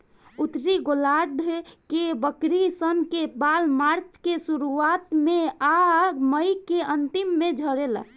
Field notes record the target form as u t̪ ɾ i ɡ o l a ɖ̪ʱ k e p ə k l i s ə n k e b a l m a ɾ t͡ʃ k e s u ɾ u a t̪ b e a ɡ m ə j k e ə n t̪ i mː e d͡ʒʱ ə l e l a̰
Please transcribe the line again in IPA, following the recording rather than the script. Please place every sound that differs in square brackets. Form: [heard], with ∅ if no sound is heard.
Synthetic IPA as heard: u t̪ ɾ i ɡ o l a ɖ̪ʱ k e [b] ə k [ɾ] i s ə n k e b a l m a ɾ t͡ʃ k e s u ɾ u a t̪ [m] e a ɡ m ə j k e ə n t̪ i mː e d͡ʒʱ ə [ɾ] e l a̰

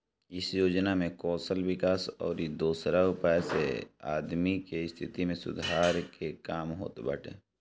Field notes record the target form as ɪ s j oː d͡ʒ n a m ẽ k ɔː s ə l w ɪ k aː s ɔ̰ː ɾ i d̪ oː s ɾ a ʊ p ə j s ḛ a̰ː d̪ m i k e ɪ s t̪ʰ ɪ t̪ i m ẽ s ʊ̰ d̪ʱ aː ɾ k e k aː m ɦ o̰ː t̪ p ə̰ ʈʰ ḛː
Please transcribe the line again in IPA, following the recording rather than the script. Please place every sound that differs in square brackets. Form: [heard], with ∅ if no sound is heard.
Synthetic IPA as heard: ɪ s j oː d͡ʒ n a m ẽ k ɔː s ə l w ɪ k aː s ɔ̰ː ɾ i d̪ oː s ɾ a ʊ p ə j s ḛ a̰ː d̪ m i k e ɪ s t̪ʰ ɪ t̪ i m ẽ s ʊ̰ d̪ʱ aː ɾ k e k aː m ɦ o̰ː t̪ [b] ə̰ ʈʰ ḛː

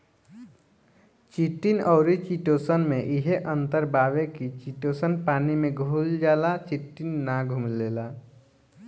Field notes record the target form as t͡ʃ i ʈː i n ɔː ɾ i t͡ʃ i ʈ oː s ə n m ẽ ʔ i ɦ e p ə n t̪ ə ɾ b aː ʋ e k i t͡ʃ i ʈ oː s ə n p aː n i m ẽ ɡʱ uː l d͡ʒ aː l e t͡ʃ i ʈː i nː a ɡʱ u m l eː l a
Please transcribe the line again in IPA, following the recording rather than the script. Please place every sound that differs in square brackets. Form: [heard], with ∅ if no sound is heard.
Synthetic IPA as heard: t͡ʃ i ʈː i n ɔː ɾ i t͡ʃ i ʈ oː s ə n m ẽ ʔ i ɦ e [ʔ] ə n t̪ ə ɾ b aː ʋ e k i t͡ʃ i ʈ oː s ə n p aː n i m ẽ ɡʱ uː l d͡ʒ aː l [a] t͡ʃ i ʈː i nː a ɡʱ u m l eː l a

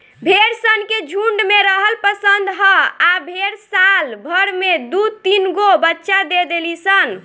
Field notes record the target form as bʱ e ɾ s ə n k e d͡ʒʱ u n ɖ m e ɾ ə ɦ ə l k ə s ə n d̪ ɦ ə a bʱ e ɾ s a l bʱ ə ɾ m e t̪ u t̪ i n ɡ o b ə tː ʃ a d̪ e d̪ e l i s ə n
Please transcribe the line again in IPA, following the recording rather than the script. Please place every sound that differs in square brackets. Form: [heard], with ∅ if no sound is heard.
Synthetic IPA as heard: bʱ e ɾ s ə n k e d͡ʒʱ u [ɳ] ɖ m e ɾ ə ɦ ə l [p] ə s ə n d̪ ɦ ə a bʱ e ɾ s a l bʱ ə ɾ m e [d̪] u t̪ i n ɡ o b ə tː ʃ a d̪ e d̪ e l i s ə n

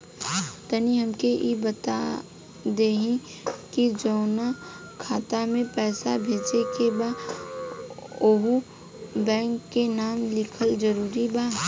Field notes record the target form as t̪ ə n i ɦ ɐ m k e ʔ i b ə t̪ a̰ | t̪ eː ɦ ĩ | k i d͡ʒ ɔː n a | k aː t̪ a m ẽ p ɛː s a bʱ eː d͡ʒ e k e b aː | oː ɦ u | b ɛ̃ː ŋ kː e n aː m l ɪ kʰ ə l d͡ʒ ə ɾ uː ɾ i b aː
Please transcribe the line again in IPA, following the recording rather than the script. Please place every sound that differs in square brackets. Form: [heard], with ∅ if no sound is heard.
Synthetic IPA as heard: t̪ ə n i ɦ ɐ m k e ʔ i b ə t̪ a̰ | [d̪] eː ɦ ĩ | k i d͡ʒ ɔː n a | [kʰ] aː t̪ a m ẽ p ɛː s a bʱ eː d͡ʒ e k e b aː | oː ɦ u | b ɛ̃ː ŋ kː e n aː m l ɪ kʰ ə l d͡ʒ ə ɾ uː ɾ i b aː

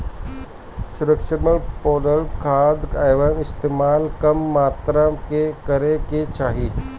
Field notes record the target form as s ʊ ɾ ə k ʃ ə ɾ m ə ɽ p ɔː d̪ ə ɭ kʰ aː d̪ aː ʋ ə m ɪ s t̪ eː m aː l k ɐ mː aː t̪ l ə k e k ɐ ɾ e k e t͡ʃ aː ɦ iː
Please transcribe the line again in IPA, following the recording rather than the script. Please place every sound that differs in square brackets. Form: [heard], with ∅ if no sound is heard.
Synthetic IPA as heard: s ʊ ɾ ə k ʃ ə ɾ m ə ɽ p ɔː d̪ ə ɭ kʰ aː d̪ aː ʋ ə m ɪ s t̪ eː m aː l k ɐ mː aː t̪ [ɾ] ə k e k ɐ ɾ e k e t͡ʃ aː ɦ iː

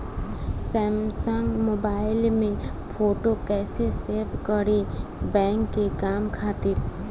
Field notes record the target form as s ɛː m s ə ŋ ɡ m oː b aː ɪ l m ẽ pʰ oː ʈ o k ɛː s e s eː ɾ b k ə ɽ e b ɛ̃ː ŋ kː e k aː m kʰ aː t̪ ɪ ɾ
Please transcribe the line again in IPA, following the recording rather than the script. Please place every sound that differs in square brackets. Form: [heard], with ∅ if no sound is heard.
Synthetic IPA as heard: s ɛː m s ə ŋ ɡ m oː b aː ɪ l m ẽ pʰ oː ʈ o k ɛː s e s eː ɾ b k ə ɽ e b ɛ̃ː ŋ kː e k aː m kʰ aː t̪ ɪ ɾ

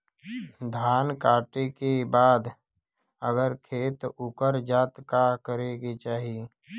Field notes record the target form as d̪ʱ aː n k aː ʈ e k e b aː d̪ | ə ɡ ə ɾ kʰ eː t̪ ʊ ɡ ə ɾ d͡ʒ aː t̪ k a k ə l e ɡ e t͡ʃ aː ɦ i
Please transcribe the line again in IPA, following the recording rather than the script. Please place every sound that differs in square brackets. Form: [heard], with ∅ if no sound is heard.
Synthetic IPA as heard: d̪ʱ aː n k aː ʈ e k e b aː d̪ | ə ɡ ə ɾ kʰ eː t̪ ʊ [k] ə ɾ d͡ʒ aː t̪ k a k ə [ɾ] e ɡ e t͡ʃ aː ɦ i

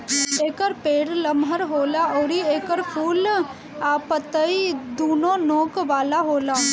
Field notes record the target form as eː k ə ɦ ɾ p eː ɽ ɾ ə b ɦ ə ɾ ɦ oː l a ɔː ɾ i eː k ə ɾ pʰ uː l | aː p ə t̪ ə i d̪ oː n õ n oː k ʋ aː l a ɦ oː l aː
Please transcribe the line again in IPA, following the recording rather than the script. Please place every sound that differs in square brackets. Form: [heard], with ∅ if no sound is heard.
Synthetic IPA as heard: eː k ə [∅] ɾ p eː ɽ [l] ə [m] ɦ ə ɾ ɦ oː l a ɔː ɾ i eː k ə ɾ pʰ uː l | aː p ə t̪ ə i d̪ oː n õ n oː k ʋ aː l a ɦ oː l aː

